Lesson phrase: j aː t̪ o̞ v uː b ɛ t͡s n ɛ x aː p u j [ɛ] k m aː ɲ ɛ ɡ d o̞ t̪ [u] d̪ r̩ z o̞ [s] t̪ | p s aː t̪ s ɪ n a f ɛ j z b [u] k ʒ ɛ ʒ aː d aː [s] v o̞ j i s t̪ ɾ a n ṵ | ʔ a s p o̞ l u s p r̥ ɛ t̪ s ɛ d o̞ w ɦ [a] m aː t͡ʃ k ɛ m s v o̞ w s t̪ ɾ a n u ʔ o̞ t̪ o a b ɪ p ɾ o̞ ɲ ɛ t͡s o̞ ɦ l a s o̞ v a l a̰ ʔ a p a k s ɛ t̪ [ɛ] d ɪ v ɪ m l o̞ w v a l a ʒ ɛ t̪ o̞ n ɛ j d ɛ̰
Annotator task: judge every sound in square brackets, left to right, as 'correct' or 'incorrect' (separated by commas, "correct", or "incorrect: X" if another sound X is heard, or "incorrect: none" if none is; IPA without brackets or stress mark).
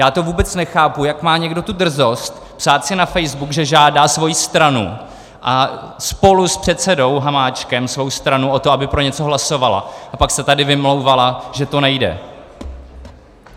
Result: incorrect: a, correct, correct, correct, correct, correct, incorrect: a